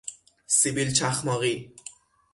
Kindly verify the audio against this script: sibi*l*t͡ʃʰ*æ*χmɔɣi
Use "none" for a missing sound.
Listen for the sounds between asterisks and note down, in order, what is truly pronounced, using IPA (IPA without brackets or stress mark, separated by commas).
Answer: l, a